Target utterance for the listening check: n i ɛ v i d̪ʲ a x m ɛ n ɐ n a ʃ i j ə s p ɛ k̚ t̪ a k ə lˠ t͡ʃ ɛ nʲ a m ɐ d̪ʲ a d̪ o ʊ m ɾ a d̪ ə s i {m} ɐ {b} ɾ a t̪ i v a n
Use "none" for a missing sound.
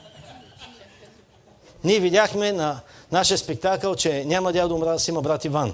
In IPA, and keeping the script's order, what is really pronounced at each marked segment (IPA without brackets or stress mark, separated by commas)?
m, b